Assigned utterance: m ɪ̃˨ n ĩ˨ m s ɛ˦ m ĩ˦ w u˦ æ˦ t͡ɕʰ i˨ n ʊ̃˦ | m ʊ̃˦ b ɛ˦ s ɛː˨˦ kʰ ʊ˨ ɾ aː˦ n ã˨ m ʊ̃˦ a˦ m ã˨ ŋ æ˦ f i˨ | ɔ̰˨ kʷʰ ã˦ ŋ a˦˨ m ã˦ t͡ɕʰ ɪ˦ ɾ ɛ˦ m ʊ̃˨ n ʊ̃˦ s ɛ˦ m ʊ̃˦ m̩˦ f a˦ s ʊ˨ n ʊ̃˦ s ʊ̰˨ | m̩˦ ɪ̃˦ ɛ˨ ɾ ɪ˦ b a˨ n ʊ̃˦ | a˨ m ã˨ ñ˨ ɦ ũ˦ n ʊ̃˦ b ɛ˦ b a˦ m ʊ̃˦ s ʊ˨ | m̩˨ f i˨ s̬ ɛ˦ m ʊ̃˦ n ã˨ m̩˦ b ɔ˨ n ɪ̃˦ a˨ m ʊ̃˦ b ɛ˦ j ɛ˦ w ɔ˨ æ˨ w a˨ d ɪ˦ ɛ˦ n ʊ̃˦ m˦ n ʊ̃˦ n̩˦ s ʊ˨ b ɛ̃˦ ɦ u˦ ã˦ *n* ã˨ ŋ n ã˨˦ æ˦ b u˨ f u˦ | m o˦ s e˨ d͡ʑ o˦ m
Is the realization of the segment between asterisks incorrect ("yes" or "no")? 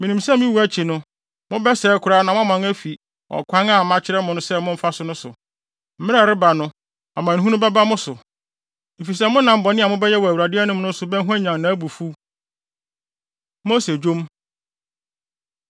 yes